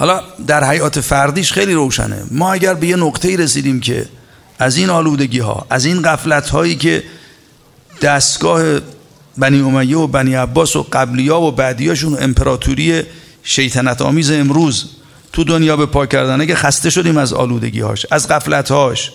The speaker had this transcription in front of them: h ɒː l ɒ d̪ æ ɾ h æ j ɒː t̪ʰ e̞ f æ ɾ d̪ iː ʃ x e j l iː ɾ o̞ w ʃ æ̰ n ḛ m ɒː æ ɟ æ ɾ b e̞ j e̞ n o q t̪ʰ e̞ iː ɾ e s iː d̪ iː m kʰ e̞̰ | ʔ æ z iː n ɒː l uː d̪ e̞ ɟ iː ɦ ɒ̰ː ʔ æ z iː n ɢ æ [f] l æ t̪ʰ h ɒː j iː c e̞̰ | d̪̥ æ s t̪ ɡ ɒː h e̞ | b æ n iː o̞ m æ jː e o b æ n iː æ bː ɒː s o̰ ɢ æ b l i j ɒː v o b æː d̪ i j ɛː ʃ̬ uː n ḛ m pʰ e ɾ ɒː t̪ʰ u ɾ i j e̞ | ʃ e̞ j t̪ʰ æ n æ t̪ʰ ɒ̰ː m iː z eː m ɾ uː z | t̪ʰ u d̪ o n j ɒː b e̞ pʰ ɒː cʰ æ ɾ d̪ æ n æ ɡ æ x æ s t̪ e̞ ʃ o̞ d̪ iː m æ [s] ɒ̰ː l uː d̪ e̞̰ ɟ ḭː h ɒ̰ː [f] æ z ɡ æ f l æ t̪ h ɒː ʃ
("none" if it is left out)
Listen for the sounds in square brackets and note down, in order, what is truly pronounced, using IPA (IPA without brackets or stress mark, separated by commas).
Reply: f, z, ʃ